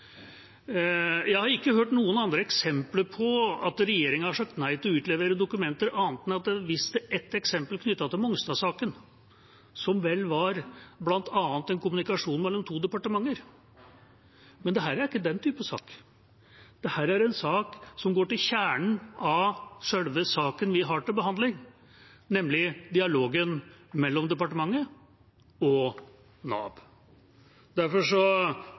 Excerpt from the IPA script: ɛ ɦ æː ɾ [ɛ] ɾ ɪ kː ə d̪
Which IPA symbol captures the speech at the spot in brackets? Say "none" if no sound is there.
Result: æ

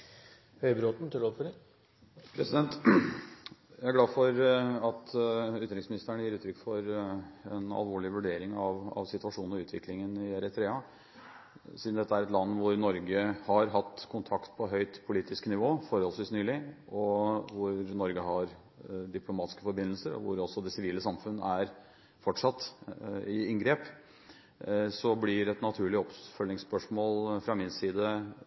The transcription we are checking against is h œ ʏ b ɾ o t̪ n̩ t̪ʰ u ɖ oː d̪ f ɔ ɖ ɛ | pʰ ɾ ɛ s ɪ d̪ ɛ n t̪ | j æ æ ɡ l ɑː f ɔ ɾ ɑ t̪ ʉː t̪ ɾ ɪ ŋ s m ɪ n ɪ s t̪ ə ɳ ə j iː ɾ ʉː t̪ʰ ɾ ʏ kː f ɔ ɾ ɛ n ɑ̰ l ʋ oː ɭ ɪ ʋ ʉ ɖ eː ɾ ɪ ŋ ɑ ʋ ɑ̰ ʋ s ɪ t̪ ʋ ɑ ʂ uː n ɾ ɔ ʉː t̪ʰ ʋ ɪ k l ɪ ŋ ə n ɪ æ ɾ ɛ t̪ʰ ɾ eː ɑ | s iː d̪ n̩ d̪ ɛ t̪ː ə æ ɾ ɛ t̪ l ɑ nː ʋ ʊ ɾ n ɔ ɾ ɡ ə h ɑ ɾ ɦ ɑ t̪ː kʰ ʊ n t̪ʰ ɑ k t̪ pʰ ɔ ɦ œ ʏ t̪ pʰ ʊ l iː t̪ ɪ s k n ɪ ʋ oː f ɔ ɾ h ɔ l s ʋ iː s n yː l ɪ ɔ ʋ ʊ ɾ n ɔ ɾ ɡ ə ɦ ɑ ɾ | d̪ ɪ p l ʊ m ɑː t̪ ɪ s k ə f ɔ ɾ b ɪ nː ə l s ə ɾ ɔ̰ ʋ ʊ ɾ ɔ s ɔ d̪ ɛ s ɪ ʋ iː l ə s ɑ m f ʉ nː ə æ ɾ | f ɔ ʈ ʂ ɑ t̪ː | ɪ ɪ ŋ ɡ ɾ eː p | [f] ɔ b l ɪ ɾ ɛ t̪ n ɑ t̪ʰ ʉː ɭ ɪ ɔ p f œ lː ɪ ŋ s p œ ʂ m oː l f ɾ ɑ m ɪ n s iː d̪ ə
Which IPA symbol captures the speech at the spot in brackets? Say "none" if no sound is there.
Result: s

